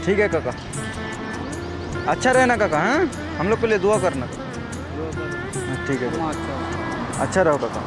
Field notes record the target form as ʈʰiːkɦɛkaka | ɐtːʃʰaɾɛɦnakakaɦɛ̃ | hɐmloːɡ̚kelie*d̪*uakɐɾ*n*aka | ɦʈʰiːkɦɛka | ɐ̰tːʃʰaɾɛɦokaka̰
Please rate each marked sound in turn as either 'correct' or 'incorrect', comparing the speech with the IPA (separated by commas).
correct, correct